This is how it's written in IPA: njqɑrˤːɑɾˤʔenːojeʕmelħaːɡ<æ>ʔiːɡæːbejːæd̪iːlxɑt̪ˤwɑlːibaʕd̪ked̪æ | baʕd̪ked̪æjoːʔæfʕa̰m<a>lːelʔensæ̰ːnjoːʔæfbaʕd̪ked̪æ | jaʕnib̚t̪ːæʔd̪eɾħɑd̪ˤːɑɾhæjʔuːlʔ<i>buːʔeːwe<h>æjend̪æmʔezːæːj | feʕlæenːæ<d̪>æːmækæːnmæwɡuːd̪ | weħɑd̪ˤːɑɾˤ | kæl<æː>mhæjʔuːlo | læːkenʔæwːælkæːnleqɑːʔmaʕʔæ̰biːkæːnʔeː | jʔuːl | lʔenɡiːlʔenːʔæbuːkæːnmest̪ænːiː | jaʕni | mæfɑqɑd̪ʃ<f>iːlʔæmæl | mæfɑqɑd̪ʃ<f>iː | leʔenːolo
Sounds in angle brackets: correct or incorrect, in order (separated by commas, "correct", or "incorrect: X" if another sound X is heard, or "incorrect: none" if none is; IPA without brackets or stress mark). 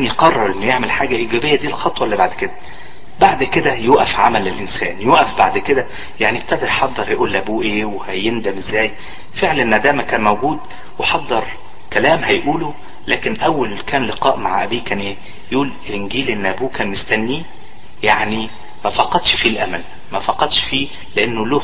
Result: correct, incorrect: æ, incorrect: æ, correct, correct, correct, correct, correct